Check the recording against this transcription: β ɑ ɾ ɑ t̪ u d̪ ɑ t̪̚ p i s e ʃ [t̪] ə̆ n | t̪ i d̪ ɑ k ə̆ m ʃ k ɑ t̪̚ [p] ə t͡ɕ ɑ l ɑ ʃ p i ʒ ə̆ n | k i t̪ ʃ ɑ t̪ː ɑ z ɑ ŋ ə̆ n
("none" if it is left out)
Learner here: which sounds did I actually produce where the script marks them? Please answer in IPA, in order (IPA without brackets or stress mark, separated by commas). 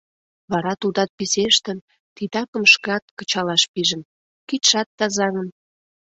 t̪, k